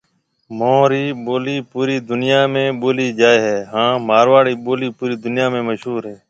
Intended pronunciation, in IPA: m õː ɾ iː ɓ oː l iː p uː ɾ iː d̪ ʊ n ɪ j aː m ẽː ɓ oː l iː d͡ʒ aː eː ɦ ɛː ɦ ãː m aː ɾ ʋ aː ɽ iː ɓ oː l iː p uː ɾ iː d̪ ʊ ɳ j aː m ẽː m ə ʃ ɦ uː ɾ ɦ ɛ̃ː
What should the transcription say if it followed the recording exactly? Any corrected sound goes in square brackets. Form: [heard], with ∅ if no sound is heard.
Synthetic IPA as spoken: m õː ɾ iː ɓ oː l iː p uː ɾ iː d̪ ʊ n ɪ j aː m ẽː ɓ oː l iː d͡ʒ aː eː ɦ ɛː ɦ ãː m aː ɾ ʋ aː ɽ iː ɓ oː l iː p uː ɾ iː d̪ ʊ [n] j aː m ẽː m ə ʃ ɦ uː ɾ ɦ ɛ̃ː

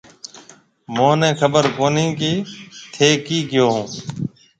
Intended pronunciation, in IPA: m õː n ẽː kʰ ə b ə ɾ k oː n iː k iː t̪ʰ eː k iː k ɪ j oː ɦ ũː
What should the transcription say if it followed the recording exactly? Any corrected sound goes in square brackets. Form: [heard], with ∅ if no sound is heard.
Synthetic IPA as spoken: m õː n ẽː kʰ ə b ə ɾ k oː n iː k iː t̪ʰ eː k iː k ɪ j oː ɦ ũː

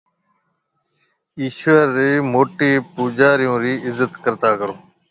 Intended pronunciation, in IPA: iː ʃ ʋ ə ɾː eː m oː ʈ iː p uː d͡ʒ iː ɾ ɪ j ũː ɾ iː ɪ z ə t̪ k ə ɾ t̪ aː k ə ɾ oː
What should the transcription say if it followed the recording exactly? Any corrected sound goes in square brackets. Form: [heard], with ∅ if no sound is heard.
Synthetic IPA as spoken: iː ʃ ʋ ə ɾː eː m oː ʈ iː p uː d͡ʒ [aː] ɾ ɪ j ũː ɾ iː ɪ z ə t̪ k ə ɾ t̪ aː k ə ɾ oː

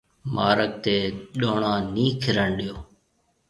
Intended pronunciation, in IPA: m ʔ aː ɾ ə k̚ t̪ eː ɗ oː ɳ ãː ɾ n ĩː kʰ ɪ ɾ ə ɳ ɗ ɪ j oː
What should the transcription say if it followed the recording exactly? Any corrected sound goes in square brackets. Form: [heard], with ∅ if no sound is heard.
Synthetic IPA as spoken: m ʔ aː ɾ ə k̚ t̪ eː ɗ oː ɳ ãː [∅] n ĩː kʰ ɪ ɾ ə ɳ ɗ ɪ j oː

